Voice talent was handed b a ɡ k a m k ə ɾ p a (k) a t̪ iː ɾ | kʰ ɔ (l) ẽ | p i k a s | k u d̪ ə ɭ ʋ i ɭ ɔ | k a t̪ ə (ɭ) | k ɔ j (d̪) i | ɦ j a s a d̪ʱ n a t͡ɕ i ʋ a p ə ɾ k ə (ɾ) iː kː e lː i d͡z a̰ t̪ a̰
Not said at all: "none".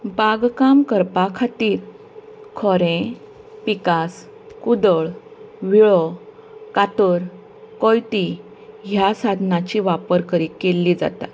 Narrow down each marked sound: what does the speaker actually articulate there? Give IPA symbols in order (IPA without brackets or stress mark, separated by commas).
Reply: kʰ, ɾ, ɾ, t̪, ɾ